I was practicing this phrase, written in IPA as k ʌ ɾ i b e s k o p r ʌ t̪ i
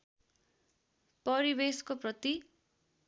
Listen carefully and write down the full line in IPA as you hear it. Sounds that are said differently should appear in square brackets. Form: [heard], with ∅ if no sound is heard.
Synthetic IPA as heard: [p] ʌ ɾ i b e s k o p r ʌ t̪ i

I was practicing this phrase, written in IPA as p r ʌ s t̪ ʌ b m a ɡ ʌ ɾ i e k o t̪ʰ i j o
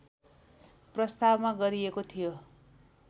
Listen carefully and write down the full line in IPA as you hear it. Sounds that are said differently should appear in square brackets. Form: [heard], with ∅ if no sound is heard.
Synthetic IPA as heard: p r ʌ s t̪ [a] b m a ɡ ʌ ɾ i e k o t̪ʰ i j o

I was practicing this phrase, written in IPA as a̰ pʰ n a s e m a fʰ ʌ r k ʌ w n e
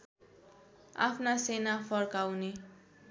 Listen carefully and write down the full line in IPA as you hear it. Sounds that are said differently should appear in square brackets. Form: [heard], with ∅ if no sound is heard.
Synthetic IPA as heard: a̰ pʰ n a s e [n] a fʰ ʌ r k [a] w n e

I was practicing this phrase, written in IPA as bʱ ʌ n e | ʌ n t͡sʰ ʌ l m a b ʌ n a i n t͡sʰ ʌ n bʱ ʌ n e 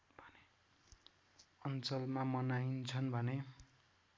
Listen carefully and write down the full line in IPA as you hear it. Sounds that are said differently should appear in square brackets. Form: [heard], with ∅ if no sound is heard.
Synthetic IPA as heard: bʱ ʌ n e | ʌ n [t͡s] ʌ l m a [m] ʌ n a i n t͡sʰ ʌ n bʱ ʌ n e

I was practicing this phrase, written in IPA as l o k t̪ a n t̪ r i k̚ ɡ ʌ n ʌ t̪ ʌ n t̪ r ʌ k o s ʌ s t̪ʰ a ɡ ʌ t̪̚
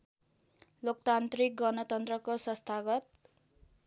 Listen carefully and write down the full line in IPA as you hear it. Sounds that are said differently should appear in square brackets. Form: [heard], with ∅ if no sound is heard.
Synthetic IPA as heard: l o k t̪ a n t̪ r i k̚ ɡ ʌ n ʌ t̪ ʌ n t̪ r ʌ k o s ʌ s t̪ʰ a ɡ ʌ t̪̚

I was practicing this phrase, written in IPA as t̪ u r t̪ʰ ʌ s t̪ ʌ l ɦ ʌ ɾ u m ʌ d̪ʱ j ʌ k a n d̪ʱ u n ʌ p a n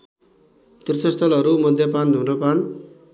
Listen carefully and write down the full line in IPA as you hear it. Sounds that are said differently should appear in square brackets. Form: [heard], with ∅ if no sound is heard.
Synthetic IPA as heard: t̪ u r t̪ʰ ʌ s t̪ ʌ l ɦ ʌ ɾ u m ʌ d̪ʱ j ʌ [p] a n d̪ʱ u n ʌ p a n

